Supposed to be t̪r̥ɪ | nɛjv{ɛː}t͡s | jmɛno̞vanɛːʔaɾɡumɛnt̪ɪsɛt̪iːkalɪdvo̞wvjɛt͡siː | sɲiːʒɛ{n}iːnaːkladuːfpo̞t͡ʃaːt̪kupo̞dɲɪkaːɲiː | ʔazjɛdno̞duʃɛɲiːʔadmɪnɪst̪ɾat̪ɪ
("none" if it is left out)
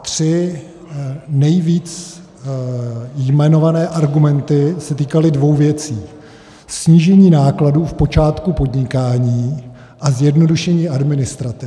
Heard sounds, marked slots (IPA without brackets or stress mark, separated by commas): iː, ɲ